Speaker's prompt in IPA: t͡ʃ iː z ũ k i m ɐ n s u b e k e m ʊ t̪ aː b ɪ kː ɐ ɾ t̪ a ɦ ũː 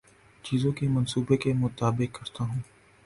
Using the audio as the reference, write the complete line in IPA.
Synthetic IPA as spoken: t͡ʃ iː z õ k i m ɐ n s uː b e k e m ʊ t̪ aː b ɪ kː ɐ ɾ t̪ a ɦ ũː